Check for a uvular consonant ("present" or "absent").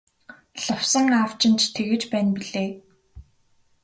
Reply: absent